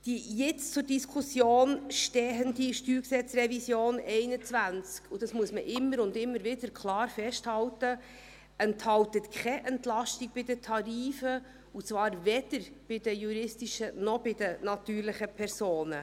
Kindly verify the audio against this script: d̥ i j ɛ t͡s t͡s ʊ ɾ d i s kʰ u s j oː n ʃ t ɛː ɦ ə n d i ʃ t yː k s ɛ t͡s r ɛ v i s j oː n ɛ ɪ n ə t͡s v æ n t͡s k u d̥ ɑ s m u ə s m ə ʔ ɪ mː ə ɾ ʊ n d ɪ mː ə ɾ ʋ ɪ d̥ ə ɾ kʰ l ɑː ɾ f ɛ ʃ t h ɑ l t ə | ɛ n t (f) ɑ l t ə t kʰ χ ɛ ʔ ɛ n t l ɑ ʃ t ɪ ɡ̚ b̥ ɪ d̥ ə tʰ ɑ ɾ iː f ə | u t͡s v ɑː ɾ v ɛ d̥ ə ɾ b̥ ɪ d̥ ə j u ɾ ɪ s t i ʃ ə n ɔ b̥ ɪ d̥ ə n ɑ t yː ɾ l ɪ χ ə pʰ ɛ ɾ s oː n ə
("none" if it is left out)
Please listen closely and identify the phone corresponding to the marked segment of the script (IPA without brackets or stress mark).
h